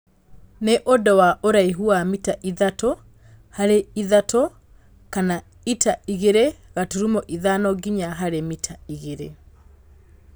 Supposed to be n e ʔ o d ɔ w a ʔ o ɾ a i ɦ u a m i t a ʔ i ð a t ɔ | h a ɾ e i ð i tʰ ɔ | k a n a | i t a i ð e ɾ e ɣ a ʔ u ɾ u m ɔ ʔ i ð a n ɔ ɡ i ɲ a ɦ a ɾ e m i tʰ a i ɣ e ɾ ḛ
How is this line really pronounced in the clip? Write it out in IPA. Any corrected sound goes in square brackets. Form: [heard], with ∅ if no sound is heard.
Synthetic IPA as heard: n e ʔ o d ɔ w a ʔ o ɾ a i ɦ u a m i t a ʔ i ð a t ɔ | h a ɾ e i ð [a] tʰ ɔ | k a n a | i t a i [ɣ] e ɾ e ɣ a [t] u ɾ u m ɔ ʔ i ð a n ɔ ɡ i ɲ a ɦ a ɾ e m i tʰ a i ɣ e ɾ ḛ

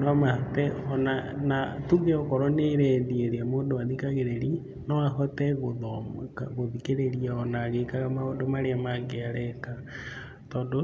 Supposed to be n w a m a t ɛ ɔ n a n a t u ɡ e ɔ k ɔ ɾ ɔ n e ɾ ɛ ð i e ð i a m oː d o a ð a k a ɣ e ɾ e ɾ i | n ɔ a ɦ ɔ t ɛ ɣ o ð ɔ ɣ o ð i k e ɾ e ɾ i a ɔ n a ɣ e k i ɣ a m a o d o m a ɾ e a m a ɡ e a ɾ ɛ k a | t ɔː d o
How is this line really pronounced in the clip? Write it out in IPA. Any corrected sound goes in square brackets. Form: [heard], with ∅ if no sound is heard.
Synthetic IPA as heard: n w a m a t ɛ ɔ n a n a t u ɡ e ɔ k ɔ ɾ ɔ n e ɾ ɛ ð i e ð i a m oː d o a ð [i] k a ɣ e ɾ e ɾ i | n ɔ a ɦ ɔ t ɛ ɣ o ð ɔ ɣ o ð i k e ɾ e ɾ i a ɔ n a ɣ e k [a] ɣ a m a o d o m a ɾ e a m a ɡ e a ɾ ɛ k a | t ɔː d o

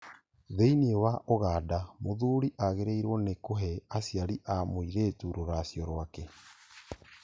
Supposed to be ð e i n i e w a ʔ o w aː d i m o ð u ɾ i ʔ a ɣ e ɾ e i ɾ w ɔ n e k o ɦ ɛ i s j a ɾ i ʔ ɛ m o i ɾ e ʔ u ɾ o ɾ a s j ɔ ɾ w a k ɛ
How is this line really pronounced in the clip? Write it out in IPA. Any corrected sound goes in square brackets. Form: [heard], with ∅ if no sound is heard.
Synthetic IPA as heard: ð e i n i e w a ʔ o [ɣ] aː d [a] m o ð u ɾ i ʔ a ɣ e ɾ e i ɾ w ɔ n e k o ɦ ɛ [a] s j a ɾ i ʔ [a] m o i ɾ e [t] u ɾ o ɾ a s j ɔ ɾ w a k ɛ

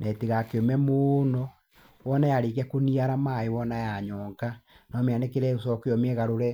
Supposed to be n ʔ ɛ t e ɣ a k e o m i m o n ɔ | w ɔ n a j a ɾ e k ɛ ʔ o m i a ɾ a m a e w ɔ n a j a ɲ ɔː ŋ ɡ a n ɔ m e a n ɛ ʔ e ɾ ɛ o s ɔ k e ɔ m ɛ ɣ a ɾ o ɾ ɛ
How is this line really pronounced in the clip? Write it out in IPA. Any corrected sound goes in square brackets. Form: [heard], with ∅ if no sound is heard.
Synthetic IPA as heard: n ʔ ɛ t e ɣ a k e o m [ɛ] m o n ɔ | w ɔ n a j a ɾ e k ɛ [k] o [n] i a ɾ a m a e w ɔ n a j a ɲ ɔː ŋ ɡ a n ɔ m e a n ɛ [k] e ɾ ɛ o s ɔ k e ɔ m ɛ ɣ a ɾ o ɾ ɛ

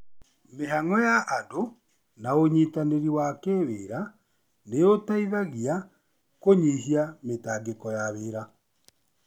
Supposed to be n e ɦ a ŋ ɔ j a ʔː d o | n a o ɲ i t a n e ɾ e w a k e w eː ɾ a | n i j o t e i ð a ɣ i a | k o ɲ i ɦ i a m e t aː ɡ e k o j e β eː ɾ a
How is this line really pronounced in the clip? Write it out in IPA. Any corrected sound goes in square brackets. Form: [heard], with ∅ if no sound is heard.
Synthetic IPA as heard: [m] e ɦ a ŋ ɔ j a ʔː d o | n a o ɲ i t a n e ɾ [i] w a k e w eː ɾ a | n [e] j o t [a] i ð a ɣ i a | k o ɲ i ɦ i a m e t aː ɡ e k [ɔ] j [a] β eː ɾ a

